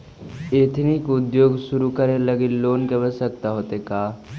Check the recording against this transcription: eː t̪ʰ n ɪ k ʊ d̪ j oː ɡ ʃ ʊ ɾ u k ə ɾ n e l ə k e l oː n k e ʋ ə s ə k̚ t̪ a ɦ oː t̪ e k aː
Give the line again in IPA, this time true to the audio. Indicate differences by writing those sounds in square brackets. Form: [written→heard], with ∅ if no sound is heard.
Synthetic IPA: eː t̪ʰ n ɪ k ʊ d̪ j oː ɡ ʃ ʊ ɾ u k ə ɾ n e l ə [k→ɡ] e l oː n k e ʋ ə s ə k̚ t̪ a ɦ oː t̪ e k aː